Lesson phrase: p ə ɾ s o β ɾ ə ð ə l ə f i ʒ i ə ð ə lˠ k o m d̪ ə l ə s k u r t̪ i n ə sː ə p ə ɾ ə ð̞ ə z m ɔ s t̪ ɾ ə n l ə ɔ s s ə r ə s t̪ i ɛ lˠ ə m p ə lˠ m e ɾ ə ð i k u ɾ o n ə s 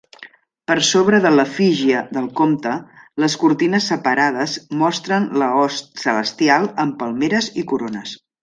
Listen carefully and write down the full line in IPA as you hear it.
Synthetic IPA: p ə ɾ s o β ɾ ə ð ə l ə f i ʒ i ə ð ə lˠ k o m t̪ ə l ə s k u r t̪ i n ə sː ə p ə ɾ a ð̞ ə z m ɔ s t̪ ɾ ə n l ə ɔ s s ə l ə s t̪ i a lˠ ə m p ə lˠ m e ɾ ə z i k u ɾ o n ə s